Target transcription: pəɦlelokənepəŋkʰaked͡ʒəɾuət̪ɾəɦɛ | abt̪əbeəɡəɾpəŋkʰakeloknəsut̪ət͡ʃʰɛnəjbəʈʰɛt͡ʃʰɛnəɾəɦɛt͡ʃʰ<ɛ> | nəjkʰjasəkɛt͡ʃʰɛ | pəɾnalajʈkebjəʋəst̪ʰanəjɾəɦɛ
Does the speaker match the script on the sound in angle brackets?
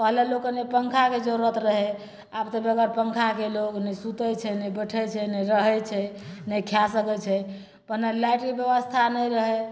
yes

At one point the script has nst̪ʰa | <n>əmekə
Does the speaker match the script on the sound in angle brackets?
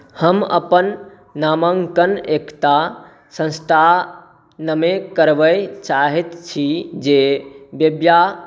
yes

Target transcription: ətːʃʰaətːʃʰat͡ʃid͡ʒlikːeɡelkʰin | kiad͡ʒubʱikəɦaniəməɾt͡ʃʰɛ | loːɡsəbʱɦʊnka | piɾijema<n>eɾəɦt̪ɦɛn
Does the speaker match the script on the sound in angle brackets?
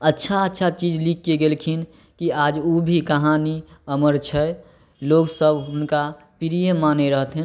yes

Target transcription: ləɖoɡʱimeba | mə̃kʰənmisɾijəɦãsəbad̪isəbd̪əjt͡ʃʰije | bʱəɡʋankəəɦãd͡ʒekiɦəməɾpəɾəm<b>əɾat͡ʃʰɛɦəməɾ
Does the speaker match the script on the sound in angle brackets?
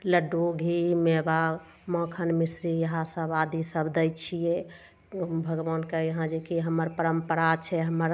no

